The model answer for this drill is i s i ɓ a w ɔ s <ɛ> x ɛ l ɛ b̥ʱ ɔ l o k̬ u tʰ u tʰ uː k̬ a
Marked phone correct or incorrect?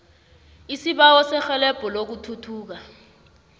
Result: correct